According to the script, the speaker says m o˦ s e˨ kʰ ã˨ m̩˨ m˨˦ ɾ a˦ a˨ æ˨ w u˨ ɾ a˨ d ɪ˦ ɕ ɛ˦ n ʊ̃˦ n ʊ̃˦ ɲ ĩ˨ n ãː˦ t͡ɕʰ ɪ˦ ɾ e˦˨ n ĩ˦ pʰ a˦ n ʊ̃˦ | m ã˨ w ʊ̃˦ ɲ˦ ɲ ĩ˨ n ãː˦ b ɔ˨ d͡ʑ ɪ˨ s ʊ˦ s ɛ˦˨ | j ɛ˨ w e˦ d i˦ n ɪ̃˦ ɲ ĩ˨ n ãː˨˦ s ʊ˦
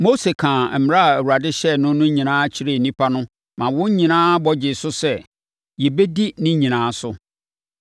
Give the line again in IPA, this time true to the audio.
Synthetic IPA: m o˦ s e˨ kʰ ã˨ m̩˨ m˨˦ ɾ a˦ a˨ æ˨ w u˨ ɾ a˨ d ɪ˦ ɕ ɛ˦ n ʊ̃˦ n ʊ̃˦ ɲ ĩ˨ n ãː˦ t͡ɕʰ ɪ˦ ɾ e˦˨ n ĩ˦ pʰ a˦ n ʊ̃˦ | m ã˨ w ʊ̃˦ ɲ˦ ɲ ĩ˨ n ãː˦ b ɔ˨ d͡ʑ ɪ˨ s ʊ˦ s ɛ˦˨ | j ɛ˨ b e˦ d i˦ n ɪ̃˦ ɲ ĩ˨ n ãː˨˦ s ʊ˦